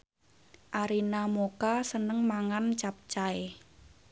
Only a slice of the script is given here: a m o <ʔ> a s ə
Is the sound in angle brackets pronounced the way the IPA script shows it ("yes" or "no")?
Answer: no